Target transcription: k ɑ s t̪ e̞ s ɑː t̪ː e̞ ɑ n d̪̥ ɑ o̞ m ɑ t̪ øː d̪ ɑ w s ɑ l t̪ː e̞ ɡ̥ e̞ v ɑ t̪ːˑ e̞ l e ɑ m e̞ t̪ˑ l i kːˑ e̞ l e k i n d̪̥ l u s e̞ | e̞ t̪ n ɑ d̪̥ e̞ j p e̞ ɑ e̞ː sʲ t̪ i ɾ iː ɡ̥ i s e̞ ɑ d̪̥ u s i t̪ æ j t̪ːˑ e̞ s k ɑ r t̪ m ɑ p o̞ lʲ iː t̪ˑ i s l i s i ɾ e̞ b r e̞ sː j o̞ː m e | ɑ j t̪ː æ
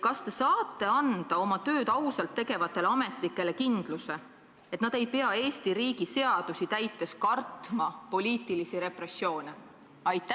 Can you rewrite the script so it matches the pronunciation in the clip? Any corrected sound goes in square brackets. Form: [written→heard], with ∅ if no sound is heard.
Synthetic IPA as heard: k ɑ s t̪ e̞ s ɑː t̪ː e̞ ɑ n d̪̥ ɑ o̞ m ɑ t̪ øː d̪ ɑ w s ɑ l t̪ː e̞ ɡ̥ e̞ v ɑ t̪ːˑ e̞ l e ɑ m e̞ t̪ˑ l i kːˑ e̞ l e k i n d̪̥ l u s e̞ | e̞ t̪ n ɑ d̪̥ e̞ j p e̞ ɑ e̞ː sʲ t̪ i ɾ iː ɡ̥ i s e̞ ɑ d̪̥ u s i t̪ æ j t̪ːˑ e̞ s k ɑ r t̪ m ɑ p o̞ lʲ iː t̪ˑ i [s→∅] l i s i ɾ e̞ [b→p] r e̞ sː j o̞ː [m→n] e | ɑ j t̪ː æ